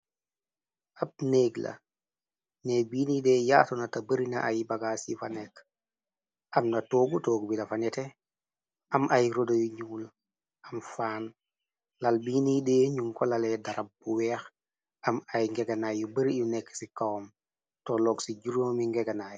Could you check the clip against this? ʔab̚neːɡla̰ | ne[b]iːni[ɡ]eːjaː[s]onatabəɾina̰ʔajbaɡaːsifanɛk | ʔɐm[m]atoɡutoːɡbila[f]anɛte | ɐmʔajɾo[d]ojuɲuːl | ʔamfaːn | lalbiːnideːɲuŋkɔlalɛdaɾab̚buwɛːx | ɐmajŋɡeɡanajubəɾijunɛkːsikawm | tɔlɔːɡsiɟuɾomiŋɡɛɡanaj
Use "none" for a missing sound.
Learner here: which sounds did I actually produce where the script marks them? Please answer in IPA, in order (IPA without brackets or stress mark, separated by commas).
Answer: b, d, t, n, f, d